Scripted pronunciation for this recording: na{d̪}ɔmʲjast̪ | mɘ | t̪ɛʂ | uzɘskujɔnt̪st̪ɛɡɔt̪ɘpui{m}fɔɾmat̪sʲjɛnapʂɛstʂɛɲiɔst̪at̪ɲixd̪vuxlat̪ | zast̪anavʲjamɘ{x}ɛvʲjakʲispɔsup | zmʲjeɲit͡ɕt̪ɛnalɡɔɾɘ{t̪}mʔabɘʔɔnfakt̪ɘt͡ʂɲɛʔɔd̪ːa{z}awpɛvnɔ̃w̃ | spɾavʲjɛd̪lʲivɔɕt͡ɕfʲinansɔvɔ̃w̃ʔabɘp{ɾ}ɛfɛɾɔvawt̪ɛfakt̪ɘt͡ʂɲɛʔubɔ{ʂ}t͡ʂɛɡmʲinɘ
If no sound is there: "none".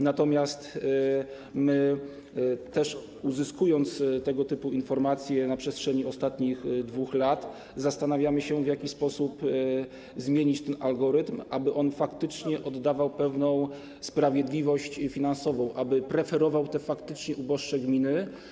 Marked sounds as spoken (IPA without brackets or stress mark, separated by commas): t̪, n, ɕ, t̪, v, ɾ, ʂ